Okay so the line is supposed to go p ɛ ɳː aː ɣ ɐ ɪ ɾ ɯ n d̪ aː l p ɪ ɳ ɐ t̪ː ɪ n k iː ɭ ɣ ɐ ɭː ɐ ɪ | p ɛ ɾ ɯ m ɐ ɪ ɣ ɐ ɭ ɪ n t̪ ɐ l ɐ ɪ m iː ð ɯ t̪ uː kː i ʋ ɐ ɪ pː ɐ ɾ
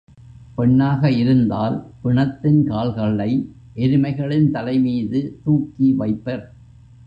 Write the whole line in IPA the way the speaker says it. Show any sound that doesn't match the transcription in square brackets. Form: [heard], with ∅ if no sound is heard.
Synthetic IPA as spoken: p ɛ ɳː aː ɣ ɐ ɪ ɾ ɯ n d̪ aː l p ɪ ɳ ɐ t̪ː ɪ n k [aː] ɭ ɣ ɐ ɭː ɐ ɪ | [ʔ] ɛ ɾ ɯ m ɐ ɪ ɣ ɐ ɭ ɪ n t̪ ɐ l ɐ ɪ m iː ð ɯ t̪ uː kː i ʋ ɐ ɪ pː ɐ ɾ